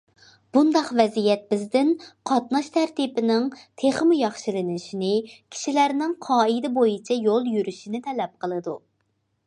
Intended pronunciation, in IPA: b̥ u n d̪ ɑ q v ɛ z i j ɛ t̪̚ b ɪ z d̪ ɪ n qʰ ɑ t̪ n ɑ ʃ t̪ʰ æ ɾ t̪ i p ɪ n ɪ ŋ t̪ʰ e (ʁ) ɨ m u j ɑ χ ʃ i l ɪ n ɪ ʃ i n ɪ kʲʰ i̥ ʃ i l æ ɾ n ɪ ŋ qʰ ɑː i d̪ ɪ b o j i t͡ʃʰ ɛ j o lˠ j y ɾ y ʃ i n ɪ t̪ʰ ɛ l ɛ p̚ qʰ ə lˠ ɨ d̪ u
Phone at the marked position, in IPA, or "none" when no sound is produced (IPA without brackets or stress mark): χ